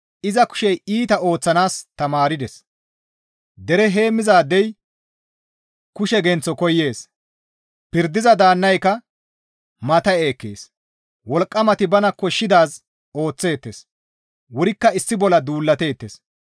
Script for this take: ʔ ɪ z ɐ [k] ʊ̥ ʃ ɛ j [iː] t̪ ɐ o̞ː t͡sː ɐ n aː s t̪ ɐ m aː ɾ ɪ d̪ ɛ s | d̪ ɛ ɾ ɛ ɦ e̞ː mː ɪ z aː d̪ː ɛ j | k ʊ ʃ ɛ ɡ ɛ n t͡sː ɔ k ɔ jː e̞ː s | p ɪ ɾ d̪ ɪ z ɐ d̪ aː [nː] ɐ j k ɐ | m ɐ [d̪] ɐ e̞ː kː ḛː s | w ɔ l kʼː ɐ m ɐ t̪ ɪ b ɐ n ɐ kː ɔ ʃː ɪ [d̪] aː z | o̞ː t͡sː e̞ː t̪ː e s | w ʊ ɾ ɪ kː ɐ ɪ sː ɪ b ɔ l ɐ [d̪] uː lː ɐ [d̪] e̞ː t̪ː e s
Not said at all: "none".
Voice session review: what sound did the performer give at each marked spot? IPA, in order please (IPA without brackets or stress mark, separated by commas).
k, iː, nː, t̪, d̪, d̪, t̪